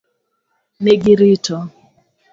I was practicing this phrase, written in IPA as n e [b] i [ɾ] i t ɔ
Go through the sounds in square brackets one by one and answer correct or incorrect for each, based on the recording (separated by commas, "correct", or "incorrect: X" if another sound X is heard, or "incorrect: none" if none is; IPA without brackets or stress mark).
incorrect: ɡ, correct